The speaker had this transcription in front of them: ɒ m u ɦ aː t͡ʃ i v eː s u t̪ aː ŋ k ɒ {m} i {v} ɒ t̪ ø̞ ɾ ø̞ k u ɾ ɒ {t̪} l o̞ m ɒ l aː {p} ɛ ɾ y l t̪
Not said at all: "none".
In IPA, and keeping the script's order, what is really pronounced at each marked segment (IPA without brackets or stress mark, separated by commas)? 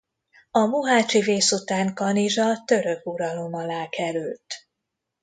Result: n, ʒ, none, k